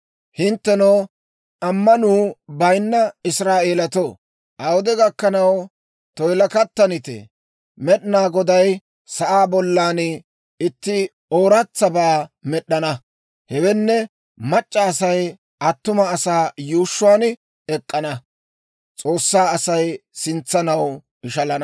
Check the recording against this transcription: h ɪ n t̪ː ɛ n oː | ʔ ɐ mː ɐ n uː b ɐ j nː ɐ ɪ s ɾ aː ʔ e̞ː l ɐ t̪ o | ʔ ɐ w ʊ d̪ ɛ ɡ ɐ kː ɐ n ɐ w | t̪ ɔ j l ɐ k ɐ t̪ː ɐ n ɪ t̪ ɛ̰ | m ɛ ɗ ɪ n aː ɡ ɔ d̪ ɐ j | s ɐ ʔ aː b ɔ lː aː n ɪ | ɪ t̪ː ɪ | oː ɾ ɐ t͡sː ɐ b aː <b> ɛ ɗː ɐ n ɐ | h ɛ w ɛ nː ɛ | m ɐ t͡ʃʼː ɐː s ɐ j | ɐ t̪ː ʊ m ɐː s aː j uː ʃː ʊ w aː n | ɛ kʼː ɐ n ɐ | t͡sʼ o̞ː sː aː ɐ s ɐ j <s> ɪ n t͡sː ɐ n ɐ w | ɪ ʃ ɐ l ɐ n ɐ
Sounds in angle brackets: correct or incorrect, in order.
incorrect: m, correct

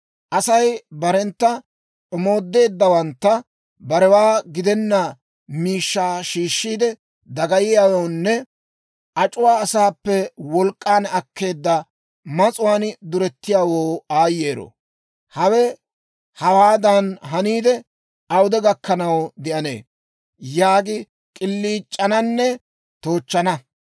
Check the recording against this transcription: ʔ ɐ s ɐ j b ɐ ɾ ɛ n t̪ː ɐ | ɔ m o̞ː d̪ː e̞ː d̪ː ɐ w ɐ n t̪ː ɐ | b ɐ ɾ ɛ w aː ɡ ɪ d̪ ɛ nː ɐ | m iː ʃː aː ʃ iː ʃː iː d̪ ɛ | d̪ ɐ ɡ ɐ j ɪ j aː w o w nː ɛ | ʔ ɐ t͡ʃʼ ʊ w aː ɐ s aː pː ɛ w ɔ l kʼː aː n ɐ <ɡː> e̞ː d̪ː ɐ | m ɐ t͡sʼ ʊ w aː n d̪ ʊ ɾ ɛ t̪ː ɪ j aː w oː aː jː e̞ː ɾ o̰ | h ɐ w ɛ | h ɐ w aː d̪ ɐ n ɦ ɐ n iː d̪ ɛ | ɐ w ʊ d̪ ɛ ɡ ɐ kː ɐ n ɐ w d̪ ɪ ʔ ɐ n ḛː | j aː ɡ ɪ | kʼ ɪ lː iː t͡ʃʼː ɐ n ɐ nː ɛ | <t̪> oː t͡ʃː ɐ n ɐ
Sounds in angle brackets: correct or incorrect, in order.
incorrect: kː, correct

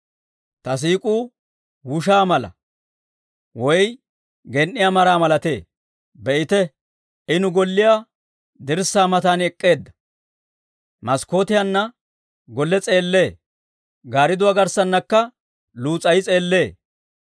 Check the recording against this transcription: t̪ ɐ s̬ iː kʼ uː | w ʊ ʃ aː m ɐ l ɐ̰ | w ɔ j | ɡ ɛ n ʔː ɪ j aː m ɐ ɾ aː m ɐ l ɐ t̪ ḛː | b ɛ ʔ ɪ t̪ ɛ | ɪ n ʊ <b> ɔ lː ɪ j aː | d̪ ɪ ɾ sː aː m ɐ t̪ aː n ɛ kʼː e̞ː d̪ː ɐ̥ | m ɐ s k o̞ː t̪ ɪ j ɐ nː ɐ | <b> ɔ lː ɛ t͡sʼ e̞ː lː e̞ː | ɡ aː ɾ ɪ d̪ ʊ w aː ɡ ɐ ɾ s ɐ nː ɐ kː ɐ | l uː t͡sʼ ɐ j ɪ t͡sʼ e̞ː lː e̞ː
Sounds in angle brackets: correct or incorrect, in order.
incorrect: ɡ, incorrect: ɡ

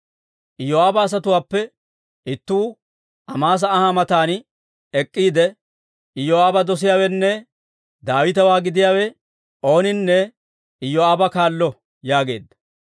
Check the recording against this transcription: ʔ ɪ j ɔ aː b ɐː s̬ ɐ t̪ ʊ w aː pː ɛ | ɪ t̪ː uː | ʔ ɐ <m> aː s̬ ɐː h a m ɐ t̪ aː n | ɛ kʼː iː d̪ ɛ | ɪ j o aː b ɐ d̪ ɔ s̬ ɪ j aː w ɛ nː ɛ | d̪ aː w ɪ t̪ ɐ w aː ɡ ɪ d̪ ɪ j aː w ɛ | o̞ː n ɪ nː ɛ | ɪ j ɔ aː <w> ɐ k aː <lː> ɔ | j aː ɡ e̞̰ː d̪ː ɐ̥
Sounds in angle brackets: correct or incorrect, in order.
correct, incorrect: b, correct

